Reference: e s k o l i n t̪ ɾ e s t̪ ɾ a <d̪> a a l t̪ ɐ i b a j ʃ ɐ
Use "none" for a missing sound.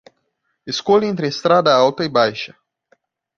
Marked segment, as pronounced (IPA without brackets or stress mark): d̪